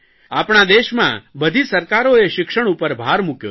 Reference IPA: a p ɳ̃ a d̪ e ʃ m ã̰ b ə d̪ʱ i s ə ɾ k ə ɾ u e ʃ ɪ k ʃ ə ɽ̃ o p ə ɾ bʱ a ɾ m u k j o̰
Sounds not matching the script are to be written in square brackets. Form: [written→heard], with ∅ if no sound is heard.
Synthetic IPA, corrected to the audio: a p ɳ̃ a d̪ e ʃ m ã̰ b ə d̪ʱ i s ə ɾ k [ə→a] ɾ [u→o] e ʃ ɪ k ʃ ə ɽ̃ [o→u] p ə ɾ bʱ a ɾ m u k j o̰